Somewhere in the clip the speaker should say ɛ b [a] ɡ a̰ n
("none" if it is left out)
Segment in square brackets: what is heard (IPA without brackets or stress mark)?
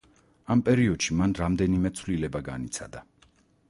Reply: a